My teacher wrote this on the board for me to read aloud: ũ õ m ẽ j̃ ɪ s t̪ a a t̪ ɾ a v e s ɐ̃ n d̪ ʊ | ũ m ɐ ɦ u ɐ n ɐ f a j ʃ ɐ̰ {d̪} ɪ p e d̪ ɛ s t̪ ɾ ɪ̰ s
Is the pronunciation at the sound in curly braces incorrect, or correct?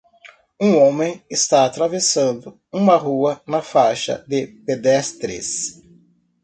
correct